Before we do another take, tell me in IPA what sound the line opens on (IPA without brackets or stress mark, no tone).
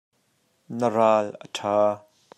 n